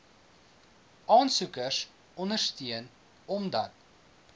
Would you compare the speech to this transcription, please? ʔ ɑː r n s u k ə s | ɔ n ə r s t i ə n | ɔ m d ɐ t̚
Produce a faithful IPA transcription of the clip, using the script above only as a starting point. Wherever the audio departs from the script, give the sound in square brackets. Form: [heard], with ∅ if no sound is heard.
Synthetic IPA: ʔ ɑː [∅] n s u k ə s | ɔ n ə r s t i ə n | ɔ m d ɐ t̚